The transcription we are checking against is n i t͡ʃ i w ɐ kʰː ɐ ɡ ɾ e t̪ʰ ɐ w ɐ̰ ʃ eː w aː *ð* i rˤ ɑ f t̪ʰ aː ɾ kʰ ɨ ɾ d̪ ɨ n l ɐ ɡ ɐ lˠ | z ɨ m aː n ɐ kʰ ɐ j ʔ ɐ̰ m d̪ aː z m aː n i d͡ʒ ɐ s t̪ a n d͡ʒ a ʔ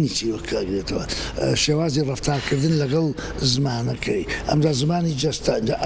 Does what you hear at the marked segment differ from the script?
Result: yes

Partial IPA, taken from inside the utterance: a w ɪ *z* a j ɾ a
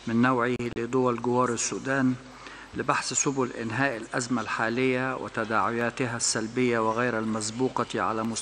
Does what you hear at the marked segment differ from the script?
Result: yes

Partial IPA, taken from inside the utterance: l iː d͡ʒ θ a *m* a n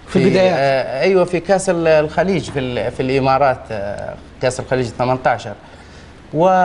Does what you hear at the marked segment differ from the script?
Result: no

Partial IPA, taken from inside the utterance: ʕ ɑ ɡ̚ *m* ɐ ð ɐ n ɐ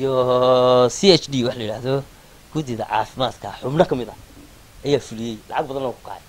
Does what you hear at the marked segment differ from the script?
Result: yes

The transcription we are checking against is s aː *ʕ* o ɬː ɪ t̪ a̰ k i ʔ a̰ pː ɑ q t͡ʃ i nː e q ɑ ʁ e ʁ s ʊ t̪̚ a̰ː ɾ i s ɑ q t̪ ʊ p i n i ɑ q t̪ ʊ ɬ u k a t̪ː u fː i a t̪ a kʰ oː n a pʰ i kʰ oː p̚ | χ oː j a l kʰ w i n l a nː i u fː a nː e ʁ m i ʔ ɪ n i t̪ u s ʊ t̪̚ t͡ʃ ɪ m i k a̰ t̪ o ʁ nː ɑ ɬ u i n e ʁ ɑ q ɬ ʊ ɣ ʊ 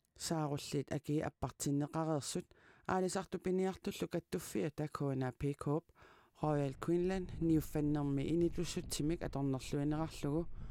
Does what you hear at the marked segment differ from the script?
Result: yes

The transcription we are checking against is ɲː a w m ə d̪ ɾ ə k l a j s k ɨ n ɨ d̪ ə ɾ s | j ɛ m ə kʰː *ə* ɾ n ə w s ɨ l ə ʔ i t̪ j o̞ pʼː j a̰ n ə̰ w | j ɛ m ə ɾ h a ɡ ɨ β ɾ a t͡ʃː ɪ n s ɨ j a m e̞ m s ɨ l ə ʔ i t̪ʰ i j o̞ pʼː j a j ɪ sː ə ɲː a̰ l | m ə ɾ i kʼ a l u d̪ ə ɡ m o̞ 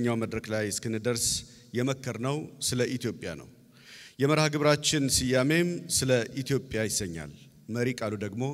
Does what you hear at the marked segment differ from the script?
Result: no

